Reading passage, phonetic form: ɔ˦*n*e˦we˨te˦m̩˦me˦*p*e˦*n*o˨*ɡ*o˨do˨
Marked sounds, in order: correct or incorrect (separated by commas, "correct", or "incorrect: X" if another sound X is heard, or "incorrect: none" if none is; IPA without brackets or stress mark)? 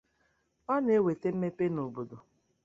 correct, correct, correct, incorrect: b